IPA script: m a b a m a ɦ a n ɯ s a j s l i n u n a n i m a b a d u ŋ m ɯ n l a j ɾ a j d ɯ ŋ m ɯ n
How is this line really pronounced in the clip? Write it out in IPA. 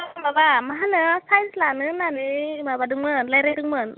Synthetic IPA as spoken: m a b a m a ɦ a n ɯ s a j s l a n ɯ n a n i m a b a d ɯ ŋ m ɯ n l a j ɾ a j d ɯ ŋ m ɯ n